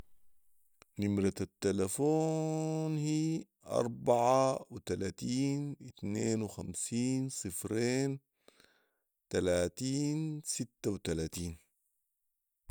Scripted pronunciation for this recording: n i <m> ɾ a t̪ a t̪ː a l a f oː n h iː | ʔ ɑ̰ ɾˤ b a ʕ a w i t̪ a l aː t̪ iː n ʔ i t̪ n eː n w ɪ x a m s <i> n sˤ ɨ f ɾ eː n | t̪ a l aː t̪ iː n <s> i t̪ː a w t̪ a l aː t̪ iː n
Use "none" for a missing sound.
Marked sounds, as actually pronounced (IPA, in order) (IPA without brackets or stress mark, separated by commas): m, iː, s